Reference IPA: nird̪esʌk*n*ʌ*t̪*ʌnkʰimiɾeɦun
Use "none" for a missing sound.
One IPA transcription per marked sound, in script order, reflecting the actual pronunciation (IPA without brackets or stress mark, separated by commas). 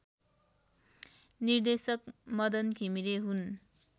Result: m, d̪